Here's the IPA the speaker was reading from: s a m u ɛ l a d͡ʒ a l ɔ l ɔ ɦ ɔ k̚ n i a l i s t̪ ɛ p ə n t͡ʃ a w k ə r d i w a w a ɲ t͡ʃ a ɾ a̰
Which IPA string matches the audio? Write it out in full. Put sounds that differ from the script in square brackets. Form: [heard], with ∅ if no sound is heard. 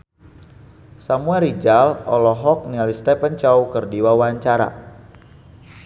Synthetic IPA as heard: s a m u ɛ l [i] d͡ʒ a l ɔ l ɔ ɦ ɔ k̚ n i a l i s t̪ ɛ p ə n t͡ʃ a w k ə r d i w a w a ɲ t͡ʃ a ɾ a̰

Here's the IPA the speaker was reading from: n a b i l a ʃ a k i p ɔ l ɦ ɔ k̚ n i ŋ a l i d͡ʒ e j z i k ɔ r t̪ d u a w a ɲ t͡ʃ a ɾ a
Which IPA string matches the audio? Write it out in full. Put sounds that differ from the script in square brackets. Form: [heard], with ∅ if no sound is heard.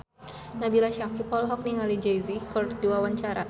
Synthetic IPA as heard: n a b i l a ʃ a k i p ɔ l ɦ ɔ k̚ n i ŋ a l i d͡ʒ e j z i k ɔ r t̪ d u a w a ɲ t͡ʃ a ɾ a

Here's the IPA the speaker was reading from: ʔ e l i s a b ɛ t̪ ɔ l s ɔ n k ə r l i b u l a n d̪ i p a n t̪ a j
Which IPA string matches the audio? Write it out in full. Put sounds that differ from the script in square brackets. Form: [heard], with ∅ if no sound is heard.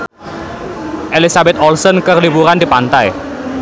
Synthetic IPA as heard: ʔ e l i s a b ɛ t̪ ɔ l s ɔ n k ə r l i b u [ɾ] a n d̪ i p a n t̪ a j

